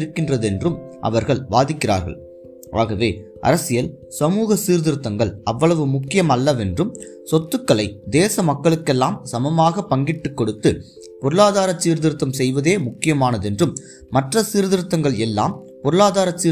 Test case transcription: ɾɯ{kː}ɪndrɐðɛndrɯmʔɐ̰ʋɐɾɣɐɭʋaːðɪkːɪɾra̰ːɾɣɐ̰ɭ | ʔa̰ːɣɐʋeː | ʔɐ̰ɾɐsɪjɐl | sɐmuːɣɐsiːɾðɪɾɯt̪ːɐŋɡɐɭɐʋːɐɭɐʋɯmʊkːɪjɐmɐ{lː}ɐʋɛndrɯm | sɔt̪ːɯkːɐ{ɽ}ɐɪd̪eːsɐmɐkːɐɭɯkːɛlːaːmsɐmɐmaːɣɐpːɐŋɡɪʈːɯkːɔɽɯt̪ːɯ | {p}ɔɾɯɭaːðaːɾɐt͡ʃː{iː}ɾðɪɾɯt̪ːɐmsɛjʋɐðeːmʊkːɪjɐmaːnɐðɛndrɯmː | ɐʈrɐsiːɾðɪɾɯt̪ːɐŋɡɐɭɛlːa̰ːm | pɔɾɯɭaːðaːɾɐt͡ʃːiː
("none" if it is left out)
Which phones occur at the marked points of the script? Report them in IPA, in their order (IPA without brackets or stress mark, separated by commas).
kː, lː, ɭ, p, iː